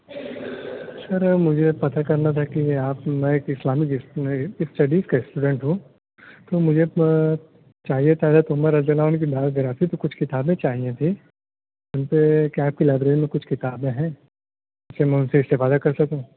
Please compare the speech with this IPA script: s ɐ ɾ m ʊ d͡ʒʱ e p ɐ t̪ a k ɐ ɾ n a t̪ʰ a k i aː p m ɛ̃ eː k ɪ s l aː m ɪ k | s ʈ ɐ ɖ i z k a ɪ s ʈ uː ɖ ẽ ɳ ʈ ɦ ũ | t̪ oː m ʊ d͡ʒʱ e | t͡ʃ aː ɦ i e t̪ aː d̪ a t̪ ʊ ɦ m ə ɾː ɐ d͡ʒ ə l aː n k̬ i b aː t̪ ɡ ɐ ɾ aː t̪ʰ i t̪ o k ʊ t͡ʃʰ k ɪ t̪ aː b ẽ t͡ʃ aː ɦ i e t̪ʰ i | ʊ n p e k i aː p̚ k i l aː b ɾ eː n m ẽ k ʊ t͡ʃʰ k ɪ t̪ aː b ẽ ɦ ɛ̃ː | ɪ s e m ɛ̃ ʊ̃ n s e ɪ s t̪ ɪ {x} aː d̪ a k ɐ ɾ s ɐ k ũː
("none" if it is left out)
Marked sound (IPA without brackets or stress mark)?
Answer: f